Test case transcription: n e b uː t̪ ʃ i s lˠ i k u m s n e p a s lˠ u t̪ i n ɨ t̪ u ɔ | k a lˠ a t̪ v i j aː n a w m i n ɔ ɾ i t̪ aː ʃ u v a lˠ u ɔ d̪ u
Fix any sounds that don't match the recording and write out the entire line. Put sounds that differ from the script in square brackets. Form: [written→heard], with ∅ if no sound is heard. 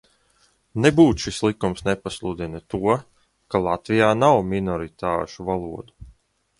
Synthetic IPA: n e b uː t̪ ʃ i s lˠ i k u m s n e p a s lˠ u [t̪→d̪] i n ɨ t̪ u ɔ | k a lˠ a t̪ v i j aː n a w m i n ɔ ɾ i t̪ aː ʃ u v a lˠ u ɔ d̪ u

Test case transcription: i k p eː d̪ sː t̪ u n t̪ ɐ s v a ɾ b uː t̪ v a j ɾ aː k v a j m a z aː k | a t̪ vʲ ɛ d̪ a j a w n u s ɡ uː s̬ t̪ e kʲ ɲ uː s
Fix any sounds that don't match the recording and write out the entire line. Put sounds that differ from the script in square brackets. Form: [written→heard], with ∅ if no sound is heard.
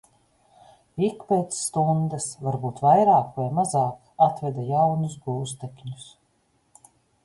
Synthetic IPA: i k p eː [d̪→t̪] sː t̪ u n [t̪→d̪] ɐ s v a ɾ b uː t̪ v a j ɾ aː k v a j m a z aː k | a t̪ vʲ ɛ d̪ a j a w n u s ɡ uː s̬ t̪ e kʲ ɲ [uː→u] s

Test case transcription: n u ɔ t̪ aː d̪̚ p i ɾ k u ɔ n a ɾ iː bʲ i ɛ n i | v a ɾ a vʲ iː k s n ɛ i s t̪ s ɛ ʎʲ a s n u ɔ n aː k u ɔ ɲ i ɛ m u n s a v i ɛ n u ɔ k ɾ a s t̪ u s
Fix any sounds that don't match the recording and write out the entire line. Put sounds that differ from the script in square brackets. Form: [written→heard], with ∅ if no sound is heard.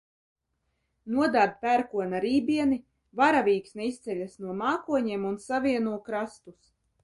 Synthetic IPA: n u ɔ [t̪→d̪] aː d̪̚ p [i→æ] ɾ k u ɔ n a ɾ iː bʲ i ɛ n i | v a ɾ a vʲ iː k s n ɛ i s t̪ s ɛ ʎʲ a s n u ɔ [n→m] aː k u ɔ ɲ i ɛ m u n s a v i ɛ n u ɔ k ɾ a s t̪ u s

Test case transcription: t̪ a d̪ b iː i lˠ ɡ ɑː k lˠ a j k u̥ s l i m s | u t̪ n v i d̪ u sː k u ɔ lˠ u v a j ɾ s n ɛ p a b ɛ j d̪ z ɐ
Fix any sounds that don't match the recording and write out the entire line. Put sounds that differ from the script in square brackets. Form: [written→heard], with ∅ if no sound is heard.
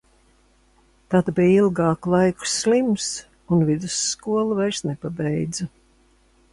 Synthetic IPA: t̪ a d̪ b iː i lˠ ɡ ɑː k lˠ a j k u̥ s l i m s | u [t̪→∅] n v i d̪ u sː k u ɔ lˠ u v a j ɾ s n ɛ p a b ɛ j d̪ z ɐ

